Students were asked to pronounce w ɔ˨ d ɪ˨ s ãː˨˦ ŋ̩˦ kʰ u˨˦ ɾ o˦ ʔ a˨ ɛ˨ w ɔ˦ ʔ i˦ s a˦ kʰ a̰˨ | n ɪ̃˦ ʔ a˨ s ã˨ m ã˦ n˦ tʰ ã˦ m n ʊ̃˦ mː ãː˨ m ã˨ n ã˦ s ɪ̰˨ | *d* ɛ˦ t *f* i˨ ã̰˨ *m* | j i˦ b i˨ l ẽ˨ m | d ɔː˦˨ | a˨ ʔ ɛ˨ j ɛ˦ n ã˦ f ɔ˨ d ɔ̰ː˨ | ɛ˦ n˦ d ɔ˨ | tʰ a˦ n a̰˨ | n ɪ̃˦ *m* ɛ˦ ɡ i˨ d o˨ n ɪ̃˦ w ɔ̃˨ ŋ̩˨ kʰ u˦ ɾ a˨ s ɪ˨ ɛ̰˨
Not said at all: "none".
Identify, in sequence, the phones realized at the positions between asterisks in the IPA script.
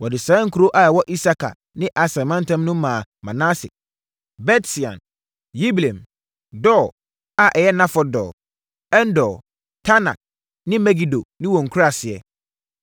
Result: b, s, n, m

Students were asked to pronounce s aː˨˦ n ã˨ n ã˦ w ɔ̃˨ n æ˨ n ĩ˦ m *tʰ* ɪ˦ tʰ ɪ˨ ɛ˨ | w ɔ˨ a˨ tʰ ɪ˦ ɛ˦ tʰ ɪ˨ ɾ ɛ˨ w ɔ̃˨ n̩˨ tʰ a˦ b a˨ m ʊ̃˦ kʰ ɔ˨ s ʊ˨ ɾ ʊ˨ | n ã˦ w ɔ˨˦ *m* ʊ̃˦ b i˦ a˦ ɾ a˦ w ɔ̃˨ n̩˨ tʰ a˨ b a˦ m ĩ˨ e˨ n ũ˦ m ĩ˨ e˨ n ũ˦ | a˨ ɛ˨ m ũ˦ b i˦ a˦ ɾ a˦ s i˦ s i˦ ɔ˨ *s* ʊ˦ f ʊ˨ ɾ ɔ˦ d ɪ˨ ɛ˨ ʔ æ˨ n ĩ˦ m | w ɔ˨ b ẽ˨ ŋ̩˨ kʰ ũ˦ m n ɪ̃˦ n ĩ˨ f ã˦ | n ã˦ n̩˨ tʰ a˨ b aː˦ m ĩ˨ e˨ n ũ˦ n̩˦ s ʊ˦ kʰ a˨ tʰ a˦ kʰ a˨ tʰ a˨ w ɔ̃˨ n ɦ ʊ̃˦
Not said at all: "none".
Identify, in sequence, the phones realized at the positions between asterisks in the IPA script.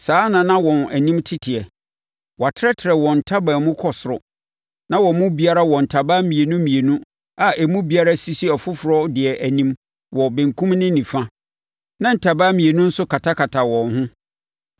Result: tʰ, m, f

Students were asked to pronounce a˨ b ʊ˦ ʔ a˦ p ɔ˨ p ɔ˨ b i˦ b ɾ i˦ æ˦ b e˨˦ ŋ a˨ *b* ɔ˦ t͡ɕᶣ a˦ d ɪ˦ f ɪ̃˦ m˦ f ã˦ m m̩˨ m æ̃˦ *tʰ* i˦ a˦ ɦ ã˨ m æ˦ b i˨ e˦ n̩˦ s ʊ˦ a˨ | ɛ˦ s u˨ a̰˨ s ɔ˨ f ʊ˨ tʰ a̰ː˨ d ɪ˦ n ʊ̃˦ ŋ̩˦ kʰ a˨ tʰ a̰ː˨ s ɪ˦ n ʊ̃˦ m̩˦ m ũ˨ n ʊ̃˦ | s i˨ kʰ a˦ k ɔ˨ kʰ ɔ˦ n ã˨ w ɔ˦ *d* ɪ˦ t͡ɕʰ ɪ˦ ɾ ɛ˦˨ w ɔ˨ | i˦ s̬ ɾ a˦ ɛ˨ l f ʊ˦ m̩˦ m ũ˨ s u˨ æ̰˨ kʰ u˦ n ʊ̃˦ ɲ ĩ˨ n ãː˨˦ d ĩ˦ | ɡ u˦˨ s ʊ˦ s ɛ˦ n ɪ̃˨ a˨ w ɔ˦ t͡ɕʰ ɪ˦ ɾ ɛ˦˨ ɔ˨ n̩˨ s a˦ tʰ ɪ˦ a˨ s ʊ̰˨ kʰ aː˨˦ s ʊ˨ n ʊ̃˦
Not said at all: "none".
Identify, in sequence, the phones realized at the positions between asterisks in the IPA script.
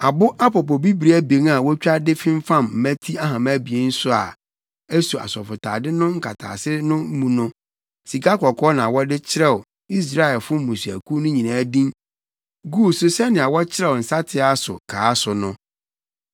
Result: w, tʰ, d

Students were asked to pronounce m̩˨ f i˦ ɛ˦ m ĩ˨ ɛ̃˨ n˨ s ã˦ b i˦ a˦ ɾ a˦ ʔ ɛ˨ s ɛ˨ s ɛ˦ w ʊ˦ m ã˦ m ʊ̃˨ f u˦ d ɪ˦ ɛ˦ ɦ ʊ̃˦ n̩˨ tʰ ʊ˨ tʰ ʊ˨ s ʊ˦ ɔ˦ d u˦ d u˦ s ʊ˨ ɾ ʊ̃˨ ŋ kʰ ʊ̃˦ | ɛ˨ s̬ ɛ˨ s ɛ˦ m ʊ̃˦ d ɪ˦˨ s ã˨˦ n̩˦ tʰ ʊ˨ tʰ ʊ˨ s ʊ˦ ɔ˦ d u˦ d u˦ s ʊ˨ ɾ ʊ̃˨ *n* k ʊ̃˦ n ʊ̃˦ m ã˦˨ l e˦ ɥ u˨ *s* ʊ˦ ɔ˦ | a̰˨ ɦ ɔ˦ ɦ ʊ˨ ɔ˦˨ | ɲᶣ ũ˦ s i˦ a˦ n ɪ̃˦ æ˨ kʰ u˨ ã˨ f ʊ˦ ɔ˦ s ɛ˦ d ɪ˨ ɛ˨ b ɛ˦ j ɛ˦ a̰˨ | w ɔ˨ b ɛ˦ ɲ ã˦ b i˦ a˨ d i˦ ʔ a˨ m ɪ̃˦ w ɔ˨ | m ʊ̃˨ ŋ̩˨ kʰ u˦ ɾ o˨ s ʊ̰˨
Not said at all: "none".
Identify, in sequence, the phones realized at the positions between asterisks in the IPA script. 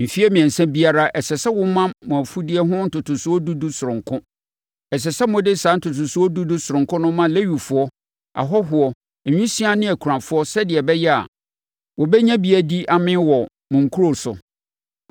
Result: ŋ, f

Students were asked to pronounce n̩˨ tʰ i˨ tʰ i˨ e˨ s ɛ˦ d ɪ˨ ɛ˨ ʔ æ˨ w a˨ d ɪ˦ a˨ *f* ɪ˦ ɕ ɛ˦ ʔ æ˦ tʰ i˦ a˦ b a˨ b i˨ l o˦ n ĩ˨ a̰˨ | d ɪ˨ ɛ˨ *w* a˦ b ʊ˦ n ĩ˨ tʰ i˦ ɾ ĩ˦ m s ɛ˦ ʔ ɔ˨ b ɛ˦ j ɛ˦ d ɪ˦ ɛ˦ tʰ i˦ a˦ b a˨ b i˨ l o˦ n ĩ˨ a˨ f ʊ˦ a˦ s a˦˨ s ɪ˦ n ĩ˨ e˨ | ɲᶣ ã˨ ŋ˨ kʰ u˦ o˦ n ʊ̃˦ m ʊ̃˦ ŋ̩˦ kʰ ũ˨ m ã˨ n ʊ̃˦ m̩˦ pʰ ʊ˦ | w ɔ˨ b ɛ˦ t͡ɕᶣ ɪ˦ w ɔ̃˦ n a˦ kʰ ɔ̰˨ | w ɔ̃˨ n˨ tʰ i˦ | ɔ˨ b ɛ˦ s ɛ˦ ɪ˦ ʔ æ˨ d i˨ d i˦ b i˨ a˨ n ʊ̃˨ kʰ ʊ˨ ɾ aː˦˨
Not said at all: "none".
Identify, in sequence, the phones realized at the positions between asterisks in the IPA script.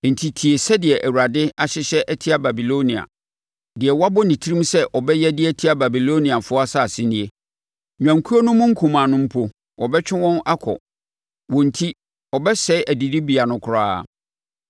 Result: ɕ, w

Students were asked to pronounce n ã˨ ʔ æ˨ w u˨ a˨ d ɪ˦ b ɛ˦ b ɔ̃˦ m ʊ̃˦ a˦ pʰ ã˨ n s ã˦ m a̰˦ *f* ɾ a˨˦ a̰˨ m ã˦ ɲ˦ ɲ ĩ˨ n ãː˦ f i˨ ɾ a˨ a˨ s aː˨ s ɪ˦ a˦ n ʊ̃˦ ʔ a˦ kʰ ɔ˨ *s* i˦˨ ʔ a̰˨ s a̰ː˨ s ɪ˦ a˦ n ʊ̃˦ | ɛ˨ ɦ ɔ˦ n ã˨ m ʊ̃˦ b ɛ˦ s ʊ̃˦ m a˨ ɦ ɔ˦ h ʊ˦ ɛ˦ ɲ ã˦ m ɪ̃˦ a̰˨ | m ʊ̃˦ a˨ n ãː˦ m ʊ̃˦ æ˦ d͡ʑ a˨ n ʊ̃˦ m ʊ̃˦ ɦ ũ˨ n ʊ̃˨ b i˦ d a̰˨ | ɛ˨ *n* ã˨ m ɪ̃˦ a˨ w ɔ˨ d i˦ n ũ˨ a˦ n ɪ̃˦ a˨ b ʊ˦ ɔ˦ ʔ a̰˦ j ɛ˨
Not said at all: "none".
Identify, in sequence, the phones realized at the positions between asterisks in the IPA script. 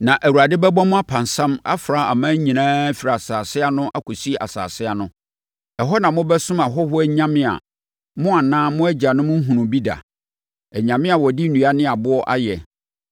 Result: f, s, ɲ

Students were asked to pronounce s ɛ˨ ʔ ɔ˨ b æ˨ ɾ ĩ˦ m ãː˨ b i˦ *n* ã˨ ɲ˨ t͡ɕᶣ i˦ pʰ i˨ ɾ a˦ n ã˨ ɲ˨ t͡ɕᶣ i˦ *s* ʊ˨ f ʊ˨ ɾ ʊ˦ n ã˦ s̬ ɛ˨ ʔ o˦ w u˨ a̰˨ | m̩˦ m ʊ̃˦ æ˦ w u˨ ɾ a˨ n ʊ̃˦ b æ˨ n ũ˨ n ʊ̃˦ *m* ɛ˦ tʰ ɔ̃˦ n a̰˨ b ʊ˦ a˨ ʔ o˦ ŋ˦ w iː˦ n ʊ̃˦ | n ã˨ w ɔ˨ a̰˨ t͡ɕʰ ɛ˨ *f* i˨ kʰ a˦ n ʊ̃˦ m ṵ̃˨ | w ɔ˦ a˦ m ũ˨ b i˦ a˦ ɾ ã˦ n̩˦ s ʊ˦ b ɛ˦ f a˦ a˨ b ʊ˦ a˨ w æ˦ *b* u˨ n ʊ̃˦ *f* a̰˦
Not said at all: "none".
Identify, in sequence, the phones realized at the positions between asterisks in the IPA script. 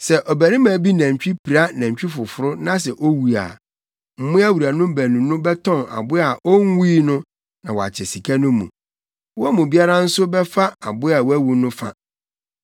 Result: n, f, b, s, w, f

